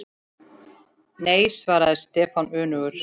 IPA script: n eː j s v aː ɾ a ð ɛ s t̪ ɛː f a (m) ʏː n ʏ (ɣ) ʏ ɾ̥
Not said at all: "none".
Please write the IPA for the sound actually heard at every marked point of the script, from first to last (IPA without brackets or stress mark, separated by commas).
n, ɣ